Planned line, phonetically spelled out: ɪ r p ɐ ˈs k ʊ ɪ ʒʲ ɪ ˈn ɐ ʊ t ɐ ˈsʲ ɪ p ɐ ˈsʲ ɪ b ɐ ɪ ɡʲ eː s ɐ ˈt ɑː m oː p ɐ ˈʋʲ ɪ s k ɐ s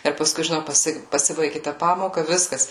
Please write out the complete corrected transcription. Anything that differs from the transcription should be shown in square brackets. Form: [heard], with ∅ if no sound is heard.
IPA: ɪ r p ɐ ˈs k ʊ ɪ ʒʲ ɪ ˈn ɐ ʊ [p] ɐ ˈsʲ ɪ p ɐ ˈsʲ ɪ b ɐ ɪ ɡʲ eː [t] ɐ [ˈp] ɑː m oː [k] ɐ ˈʋʲ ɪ s k ɐ s